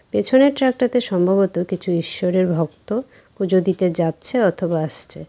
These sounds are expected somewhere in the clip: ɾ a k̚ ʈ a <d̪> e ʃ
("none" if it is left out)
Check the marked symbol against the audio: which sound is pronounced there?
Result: t̪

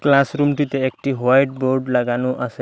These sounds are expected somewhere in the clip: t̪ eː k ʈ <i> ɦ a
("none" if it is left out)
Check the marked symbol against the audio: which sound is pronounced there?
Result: i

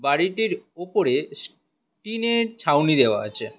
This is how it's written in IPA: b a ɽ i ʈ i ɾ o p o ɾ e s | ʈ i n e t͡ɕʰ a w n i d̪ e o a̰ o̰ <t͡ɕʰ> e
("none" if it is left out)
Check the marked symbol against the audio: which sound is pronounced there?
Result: t͡ɕʰ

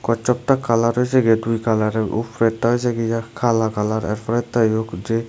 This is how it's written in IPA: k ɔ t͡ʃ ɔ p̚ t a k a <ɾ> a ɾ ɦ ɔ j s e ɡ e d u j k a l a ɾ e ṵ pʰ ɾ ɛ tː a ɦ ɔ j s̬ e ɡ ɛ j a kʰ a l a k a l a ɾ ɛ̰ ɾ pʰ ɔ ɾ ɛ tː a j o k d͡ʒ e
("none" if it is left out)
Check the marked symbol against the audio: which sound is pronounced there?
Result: l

